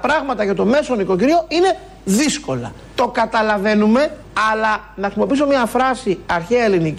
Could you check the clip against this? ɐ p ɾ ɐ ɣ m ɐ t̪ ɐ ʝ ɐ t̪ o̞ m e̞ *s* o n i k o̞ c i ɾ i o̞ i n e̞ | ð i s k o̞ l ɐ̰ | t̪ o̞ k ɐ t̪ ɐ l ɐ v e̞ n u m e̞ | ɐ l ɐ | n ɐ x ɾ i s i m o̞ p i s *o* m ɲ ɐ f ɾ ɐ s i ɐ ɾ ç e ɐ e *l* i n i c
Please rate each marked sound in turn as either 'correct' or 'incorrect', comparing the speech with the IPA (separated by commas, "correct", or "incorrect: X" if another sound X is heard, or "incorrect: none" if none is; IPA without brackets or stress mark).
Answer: correct, correct, correct